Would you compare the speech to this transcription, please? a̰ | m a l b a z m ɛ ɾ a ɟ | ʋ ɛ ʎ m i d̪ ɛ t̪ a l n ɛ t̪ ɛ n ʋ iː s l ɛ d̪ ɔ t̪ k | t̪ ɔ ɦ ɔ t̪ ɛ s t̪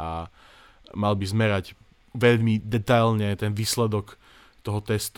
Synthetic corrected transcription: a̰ | m a l b i z m ɛ ɾ a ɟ | ʋ ɛ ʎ m i d̪ ɛ t̪ a l ɲ ɛ t̪ ɛ n ʋ iː s l ɛ d̪ ɔ k | t̪ ɔ ɦ ɔ t̪ ɛ s t̪